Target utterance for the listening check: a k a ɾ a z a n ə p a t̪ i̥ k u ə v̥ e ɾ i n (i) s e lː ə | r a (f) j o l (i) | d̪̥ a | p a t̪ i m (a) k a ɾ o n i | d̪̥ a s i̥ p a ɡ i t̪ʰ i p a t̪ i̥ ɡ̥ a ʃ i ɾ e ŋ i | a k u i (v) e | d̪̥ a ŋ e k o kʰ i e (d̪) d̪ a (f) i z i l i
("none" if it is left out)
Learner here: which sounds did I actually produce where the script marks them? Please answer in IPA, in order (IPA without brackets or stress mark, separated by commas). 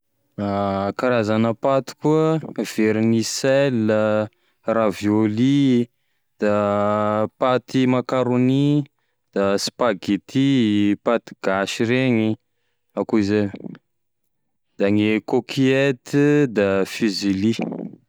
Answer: i, v, i, a, z, t̪, f